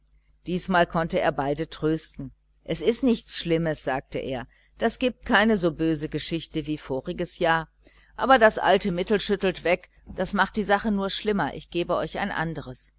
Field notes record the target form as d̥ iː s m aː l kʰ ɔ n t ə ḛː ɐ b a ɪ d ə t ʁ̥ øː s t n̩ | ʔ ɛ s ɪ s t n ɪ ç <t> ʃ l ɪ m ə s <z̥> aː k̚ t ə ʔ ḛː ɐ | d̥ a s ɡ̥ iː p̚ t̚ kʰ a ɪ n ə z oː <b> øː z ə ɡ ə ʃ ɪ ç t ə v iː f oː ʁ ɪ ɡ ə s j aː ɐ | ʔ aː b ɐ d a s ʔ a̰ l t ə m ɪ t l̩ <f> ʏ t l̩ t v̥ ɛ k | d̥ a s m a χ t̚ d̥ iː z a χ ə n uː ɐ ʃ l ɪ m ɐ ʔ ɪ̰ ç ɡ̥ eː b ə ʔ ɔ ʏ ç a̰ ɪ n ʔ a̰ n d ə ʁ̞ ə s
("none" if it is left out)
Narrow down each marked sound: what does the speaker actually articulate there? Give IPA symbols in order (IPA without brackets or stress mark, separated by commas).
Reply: t͡s, z̥, b, ʃ